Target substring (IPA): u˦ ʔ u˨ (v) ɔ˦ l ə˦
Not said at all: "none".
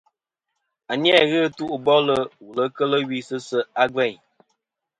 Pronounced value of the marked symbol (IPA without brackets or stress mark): b